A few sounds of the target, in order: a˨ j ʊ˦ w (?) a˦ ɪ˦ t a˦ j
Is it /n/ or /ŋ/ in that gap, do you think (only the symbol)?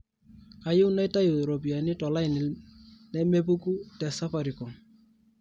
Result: n